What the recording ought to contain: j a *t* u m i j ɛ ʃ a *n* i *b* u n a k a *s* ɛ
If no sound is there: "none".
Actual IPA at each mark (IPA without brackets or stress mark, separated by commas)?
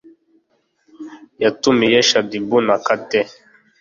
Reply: t, d, b, t